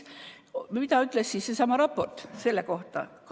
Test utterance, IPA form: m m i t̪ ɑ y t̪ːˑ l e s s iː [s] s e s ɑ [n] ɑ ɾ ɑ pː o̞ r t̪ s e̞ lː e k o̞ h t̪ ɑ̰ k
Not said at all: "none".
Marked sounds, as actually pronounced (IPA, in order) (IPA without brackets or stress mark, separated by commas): s, m